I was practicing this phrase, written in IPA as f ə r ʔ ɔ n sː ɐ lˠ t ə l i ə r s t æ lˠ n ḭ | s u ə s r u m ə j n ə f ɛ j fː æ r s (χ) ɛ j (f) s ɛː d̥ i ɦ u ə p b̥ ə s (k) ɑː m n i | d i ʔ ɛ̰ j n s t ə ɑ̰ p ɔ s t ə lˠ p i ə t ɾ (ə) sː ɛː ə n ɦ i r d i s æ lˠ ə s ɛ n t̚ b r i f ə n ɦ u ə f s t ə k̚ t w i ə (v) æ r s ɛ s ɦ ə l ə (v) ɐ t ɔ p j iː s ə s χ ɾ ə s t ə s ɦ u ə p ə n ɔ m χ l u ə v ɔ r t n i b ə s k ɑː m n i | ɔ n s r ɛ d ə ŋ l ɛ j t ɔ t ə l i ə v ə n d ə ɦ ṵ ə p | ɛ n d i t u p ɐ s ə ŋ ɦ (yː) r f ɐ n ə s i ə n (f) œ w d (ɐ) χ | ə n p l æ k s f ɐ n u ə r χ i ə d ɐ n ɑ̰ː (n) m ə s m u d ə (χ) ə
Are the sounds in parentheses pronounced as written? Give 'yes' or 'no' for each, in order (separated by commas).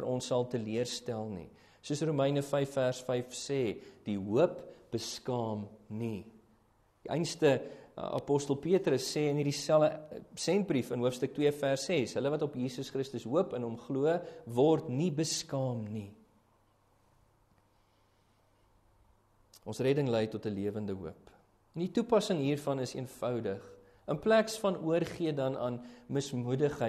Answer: no, yes, yes, yes, no, yes, no, yes, no, yes, yes